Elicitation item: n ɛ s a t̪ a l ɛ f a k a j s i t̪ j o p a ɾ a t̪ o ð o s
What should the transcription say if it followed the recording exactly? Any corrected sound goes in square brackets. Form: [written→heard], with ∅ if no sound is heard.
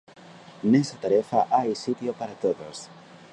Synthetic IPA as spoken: n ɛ s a t̪ a [l→ɾ] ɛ f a [k→ʔ] a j s i t̪ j o p a ɾ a t̪ o ð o s